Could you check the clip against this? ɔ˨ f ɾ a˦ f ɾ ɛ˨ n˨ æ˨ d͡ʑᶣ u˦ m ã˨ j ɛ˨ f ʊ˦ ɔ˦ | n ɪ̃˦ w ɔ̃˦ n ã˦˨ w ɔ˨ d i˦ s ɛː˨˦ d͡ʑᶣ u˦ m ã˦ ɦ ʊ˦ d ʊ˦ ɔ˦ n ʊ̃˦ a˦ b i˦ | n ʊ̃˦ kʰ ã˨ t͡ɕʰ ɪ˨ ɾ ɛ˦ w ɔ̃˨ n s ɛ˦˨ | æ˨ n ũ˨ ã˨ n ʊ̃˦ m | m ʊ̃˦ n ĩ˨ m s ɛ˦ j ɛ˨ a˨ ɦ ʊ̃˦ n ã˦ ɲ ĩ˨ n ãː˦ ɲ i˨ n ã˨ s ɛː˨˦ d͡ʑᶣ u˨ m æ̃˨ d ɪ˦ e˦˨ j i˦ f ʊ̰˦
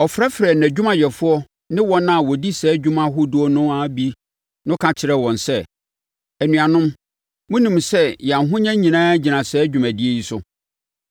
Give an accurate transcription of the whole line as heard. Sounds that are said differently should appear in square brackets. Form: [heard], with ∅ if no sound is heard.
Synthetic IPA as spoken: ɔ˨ f ɾ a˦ f ɾ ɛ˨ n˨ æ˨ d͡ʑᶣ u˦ m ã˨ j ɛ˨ f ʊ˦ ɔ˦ | n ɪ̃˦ w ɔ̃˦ n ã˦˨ w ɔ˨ d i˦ s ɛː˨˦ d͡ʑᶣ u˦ m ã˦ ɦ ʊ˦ d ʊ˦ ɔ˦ n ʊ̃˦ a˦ b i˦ | n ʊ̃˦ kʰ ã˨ t͡ɕʰ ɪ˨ ɾ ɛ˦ w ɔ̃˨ n s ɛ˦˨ | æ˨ n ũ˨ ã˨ n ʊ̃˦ m | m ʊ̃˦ n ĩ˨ m s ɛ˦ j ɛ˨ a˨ ɦ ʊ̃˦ [ɲ] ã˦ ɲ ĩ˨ n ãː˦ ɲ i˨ n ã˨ s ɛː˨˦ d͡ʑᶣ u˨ m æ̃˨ d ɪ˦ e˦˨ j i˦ [s] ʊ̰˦

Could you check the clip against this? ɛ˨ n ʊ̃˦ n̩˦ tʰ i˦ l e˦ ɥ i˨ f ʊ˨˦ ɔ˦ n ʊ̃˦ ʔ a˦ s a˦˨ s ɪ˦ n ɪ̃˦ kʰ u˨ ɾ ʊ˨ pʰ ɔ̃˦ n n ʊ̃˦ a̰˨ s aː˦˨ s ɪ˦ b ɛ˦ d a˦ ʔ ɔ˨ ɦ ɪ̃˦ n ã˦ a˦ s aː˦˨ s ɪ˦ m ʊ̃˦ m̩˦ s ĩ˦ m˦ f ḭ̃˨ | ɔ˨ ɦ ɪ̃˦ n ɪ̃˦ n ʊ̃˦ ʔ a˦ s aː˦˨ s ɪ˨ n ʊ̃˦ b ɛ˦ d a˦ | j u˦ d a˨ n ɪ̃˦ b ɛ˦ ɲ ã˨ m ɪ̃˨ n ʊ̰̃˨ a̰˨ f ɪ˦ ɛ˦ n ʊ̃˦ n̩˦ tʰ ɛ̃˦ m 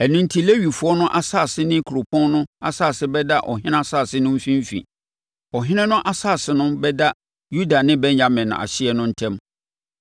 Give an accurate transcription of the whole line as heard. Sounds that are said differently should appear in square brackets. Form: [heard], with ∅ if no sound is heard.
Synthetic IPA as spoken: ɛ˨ n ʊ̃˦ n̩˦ tʰ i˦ l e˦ ɥ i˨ f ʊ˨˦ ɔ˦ n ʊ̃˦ ʔ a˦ s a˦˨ s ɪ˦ n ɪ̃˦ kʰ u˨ ɾ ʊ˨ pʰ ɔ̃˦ n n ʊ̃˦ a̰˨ s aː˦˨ s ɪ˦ b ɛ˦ d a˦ ʔ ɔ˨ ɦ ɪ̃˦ n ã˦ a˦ s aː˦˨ s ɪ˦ [n] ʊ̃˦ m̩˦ [f] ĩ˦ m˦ f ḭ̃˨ | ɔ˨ ɦ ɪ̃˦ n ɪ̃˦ n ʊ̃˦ ʔ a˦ s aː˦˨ s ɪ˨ n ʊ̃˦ b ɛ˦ d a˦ | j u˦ d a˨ n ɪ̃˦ b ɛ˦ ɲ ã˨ m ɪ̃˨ n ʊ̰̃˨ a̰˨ [ɕ] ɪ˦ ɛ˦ n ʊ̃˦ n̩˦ tʰ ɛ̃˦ m

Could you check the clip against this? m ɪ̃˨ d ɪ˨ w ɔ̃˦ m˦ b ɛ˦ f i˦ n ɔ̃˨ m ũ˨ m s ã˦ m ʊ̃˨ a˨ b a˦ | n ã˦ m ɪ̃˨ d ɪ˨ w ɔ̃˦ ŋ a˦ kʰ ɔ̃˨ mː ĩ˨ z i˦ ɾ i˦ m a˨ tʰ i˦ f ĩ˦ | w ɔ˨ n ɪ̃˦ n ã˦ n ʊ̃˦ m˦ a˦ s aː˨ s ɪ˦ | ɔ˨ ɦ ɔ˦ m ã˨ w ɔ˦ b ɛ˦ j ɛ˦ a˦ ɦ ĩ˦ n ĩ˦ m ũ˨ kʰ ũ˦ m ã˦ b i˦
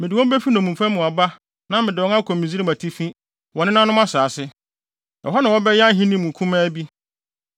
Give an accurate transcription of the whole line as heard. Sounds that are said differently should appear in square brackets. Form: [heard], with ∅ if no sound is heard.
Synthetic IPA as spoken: m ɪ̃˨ d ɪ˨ w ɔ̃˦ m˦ b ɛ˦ f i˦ n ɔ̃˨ m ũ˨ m [f] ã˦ m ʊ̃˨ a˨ b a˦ | n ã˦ m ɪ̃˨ d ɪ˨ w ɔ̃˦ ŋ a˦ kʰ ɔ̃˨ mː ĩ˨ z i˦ ɾ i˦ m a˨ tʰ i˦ f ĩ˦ | w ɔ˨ n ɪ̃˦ n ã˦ n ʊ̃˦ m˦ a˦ s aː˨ s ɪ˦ | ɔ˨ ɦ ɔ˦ [n] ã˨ w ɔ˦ b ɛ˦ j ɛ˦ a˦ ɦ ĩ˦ n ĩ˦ m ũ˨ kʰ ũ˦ m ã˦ b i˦

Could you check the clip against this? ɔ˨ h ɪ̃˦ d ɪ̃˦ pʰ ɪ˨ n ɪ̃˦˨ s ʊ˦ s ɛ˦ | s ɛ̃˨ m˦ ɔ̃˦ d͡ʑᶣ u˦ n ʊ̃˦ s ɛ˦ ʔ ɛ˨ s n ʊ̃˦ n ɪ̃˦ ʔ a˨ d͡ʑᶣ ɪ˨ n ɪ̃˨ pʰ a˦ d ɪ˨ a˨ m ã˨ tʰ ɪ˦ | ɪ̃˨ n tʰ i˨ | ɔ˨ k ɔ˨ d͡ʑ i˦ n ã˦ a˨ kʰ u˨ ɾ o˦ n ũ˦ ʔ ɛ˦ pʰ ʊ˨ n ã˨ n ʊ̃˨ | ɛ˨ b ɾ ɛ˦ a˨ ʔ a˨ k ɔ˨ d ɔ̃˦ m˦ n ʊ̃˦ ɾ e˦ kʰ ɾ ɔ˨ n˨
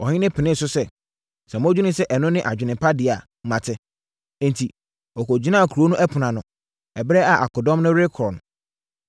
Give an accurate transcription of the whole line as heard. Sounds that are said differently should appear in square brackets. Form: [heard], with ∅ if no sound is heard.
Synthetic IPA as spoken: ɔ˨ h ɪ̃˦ [n] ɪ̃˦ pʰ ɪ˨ n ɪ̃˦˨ s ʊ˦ s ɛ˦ | s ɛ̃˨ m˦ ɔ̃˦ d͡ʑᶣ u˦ n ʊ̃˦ s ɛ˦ ʔ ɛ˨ [∅] n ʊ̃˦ n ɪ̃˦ ʔ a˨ d͡ʑᶣ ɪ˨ n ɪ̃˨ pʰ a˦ d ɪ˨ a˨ m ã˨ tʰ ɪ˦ | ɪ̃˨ n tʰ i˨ | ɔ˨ k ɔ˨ d͡ʑ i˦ n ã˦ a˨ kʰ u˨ ɾ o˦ n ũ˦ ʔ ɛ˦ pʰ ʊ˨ n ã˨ n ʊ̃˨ | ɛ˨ b ɾ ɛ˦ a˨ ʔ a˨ k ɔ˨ d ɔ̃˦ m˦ n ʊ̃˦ ɾ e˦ kʰ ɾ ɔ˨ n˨

